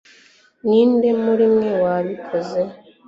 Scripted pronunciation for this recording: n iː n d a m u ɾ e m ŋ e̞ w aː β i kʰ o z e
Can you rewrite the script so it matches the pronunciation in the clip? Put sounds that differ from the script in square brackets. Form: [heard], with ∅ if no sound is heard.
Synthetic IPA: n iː n d [e] m u ɾ [i] m ŋ e̞ w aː β i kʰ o z e